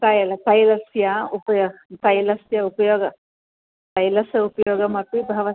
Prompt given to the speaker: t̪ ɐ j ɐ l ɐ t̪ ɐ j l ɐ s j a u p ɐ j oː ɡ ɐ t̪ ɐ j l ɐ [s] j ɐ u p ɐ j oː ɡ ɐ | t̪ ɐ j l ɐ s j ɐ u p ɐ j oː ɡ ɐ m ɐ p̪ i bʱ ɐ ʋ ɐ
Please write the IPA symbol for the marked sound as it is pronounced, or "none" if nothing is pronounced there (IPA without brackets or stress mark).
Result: s